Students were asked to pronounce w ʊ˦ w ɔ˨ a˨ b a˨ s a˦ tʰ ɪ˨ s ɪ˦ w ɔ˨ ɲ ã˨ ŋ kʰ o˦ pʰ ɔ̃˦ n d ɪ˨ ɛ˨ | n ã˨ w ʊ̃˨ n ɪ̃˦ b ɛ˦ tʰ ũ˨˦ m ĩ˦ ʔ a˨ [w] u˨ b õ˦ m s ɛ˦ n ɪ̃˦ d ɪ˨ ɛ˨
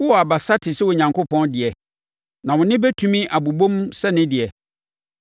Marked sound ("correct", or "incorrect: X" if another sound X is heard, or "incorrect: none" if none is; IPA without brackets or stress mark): incorrect: b